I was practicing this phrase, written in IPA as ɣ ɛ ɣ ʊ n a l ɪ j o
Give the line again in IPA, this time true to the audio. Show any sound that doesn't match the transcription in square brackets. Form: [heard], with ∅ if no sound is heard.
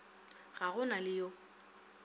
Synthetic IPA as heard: ɣ [a] ɣ ʊ n a l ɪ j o